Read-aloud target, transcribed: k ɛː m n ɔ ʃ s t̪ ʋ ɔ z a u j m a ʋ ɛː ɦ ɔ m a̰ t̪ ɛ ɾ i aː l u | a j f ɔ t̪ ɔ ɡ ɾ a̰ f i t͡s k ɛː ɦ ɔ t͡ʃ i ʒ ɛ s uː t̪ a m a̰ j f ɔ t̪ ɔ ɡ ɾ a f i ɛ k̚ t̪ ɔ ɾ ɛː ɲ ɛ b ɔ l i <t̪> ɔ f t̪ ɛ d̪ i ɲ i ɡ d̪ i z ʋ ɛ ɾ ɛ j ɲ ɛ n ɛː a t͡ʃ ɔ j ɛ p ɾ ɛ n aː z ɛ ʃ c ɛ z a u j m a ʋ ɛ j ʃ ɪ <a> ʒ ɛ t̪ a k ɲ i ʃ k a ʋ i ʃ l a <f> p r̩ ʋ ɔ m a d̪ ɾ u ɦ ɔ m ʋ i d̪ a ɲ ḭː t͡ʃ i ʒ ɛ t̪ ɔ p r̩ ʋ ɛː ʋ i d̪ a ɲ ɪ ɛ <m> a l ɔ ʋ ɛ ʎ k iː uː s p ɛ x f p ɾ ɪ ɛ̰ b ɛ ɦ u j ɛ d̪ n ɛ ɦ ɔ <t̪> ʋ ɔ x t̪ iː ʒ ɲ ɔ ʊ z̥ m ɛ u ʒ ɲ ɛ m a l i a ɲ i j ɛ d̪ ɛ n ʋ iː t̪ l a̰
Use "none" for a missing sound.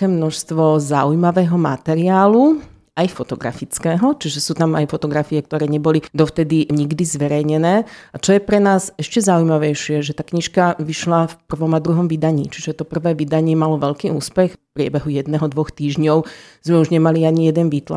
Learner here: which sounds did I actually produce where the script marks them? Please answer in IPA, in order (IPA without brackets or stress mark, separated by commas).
d̪, ɛ, f, m, d̪